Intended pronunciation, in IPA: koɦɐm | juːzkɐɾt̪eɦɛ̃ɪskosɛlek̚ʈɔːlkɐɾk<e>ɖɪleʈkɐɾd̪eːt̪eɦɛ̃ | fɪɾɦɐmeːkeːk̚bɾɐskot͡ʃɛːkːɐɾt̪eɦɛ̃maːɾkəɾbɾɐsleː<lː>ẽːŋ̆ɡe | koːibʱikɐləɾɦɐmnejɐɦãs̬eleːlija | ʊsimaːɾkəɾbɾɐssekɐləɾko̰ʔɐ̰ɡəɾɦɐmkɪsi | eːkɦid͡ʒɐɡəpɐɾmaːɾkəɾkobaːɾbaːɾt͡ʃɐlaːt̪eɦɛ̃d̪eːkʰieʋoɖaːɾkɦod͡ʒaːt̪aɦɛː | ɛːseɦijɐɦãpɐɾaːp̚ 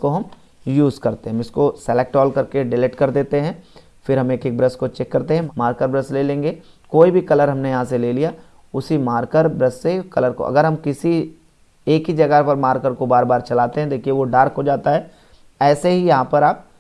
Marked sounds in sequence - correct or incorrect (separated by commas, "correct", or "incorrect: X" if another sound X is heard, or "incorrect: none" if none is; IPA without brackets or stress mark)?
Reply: correct, incorrect: l